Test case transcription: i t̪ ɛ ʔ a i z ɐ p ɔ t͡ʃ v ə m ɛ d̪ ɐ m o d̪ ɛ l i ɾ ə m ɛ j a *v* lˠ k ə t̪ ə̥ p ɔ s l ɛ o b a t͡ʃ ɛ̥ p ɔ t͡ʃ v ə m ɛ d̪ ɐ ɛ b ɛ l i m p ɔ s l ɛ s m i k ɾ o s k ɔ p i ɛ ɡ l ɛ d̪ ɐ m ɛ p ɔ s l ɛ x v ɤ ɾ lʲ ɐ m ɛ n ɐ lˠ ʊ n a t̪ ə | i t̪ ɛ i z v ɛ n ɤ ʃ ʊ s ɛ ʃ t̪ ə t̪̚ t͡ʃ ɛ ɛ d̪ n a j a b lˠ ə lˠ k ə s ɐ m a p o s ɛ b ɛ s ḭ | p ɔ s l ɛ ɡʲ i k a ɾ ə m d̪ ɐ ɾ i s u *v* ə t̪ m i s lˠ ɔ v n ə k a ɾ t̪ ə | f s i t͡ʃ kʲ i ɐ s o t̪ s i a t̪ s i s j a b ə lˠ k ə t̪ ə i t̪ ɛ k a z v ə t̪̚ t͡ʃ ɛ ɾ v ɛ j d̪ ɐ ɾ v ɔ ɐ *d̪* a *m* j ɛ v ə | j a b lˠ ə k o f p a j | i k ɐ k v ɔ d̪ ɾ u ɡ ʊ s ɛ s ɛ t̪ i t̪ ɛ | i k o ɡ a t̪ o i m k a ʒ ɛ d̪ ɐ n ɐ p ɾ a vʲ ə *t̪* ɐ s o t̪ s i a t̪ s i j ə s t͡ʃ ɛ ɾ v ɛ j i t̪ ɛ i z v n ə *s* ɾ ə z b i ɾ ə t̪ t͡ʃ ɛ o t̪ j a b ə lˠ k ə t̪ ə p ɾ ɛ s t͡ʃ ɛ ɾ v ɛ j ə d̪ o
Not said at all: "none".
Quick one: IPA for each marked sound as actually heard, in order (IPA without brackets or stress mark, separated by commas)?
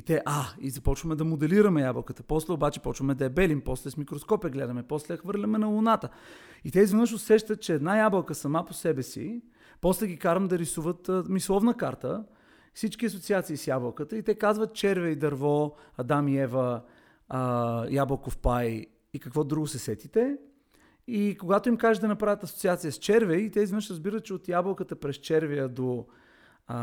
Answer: b, v, d̪, m, t̪, ʃ